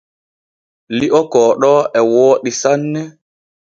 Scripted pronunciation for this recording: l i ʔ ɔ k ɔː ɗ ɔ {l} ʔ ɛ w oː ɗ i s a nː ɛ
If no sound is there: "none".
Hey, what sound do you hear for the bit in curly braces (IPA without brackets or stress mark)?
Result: none